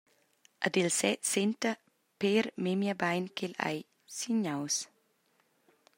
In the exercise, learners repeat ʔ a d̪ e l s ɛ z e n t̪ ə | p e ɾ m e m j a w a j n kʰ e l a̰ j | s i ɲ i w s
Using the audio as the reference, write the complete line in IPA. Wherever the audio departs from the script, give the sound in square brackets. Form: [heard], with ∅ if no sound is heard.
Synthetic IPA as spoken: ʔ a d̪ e l s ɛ [s] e n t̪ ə | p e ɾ m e m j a [b] a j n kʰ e l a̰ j | s i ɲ [a] w s